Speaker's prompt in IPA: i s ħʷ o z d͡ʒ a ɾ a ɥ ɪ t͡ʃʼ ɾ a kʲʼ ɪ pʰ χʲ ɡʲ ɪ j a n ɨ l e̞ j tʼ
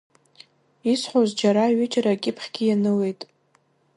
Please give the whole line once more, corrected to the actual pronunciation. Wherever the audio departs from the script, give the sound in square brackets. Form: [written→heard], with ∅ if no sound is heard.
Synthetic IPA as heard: i s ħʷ o z d͡ʒ a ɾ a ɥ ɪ t͡ʃʼ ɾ a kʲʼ ɪ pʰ χʲ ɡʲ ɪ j a n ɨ l e̞ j tʼ

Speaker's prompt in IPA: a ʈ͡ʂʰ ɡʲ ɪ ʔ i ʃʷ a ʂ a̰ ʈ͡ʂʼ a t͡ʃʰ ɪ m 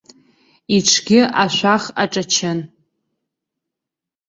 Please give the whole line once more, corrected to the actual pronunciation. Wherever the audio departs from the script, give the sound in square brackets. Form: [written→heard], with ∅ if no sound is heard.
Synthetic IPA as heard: [a→i] ʈ͡ʂʰ ɡʲ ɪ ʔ [i→a] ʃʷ a [ʂ→χ] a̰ ʈ͡ʂʼ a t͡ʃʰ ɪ [m→n]

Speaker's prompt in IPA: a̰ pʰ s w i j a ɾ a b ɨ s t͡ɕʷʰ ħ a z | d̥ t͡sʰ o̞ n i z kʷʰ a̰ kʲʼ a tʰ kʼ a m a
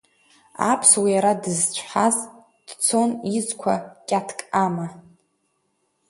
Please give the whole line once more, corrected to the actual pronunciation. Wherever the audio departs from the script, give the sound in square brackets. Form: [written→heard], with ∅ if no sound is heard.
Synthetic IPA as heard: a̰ pʰ s w i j a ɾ a [b→d] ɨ [s→z] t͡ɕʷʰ ħ a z | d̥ t͡sʰ o̞ n i z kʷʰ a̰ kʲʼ a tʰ kʼ a m a

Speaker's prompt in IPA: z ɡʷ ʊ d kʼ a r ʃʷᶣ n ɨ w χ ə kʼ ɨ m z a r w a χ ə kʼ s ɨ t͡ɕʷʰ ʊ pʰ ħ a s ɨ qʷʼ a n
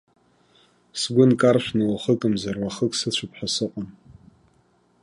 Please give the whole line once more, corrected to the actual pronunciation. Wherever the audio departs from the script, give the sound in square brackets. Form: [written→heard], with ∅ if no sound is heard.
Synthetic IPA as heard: [z→s] ɡʷ ʊ [d→n] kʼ a r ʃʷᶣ n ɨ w χ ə kʼ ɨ m z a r w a χ ə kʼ s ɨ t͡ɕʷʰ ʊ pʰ ħ a s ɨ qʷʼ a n

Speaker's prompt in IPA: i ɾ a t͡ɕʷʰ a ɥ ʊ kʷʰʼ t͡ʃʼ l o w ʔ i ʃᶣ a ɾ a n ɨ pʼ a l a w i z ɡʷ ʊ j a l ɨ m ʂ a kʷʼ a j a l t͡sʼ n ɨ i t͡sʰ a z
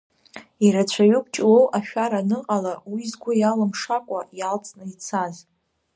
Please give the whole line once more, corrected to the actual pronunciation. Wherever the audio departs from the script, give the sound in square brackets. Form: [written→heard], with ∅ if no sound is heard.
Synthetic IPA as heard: i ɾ a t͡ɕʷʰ a ɥ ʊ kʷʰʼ t͡ʃʼ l o w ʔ [i→a] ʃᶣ a ɾ a n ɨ [pʼ→qʼ] a l a w i z ɡʷ ʊ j a l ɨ m ʂ a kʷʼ a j a l t͡sʼ n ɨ i t͡sʰ a z

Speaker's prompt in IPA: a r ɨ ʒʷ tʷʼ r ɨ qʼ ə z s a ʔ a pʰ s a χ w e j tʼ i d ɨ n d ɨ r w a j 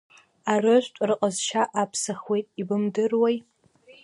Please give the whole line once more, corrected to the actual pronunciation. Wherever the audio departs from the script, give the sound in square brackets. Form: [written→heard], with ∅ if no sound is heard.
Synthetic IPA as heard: a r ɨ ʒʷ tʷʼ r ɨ qʼ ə z [s→ʃ] a ʔ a pʰ s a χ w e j tʼ i [d→b] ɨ [n→m] d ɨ r w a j

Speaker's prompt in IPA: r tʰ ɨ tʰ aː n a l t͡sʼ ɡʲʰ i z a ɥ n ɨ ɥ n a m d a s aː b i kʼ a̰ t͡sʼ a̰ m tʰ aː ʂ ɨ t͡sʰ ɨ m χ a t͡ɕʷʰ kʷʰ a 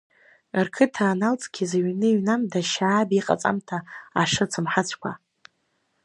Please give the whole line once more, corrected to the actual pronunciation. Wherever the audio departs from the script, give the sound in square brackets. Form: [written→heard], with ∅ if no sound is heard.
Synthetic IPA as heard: r [tʰ→kʰ] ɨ tʰ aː n a l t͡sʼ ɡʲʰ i z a ɥ n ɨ ɥ n a m d a [s→ʃ] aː b i [kʼ→qʼ] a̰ t͡sʼ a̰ m tʰ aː ʂ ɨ t͡sʰ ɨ m [χ→ħ] a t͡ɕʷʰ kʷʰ a

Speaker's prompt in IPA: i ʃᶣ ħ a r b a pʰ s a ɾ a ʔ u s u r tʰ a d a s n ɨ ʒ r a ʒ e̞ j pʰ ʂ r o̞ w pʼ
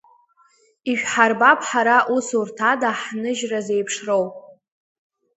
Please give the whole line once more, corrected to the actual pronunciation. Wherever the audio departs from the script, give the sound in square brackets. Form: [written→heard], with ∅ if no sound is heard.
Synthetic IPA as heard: i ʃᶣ ħ a r b a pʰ [s→ħ] a ɾ a ʔ u s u r tʰ a d a [s→ħ] n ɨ ʒ r a [ʒ→z] e̞ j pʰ ʂ r o̞ w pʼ

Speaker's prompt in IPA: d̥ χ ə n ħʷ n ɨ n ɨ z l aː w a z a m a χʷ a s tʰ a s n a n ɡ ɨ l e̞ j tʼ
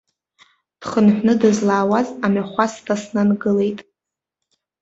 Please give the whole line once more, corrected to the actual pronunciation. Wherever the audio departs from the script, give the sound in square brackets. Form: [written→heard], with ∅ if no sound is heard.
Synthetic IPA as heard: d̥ χ ə n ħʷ n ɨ [n→d] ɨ z l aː w a z a m a χʷ a s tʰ a s n a n ɡ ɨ l e̞ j tʼ

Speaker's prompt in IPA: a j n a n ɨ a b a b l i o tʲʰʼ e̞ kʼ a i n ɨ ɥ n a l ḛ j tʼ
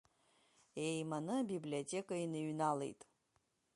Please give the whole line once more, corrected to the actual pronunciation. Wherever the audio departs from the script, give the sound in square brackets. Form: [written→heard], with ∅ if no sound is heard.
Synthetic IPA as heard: [a→e] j [n→m] a n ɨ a b [a→i] b l i o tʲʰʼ e̞ kʼ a i n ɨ ɥ n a l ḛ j tʼ

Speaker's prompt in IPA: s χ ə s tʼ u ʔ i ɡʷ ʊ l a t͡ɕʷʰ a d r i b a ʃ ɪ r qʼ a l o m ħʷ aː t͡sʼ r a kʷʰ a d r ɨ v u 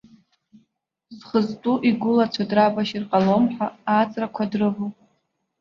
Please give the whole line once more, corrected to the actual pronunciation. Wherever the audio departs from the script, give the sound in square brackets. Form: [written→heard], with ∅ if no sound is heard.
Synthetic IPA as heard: [s→z] χ ə [s→z] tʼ u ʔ i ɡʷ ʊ l a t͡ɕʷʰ a d r [i→a] b a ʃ [ɪ→i] r qʼ a l o m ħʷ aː t͡sʼ r a kʷʰ a d r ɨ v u

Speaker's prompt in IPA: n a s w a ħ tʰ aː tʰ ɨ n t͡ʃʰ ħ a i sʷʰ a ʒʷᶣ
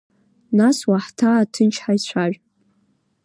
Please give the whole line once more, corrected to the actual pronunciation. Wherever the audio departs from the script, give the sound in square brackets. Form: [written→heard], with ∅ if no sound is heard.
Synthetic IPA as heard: n a s w a ħ tʰ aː tʰ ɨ n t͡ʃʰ ħ a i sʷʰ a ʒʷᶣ

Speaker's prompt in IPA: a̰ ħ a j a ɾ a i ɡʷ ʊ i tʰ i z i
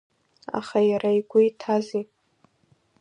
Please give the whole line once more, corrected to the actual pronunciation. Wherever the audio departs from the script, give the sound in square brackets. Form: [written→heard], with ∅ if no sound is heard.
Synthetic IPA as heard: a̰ [ħ→χ] a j a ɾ a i ɡʷ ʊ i tʰ [i→a] z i

